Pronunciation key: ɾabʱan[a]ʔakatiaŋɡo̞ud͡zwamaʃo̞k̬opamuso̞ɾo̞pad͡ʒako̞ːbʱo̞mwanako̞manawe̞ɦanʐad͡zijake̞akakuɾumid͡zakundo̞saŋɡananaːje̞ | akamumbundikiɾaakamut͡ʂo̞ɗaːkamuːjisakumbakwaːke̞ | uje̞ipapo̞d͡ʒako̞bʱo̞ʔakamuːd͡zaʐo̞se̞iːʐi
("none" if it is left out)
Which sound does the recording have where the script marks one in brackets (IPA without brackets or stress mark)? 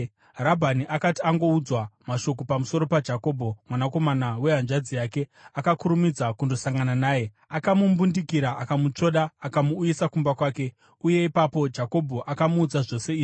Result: i